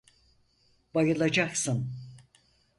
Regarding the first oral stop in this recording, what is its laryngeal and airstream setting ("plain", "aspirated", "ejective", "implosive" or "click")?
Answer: plain